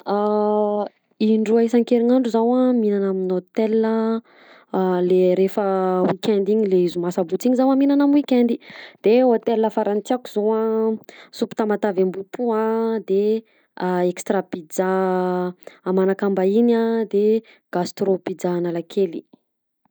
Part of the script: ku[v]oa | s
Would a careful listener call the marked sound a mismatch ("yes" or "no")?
yes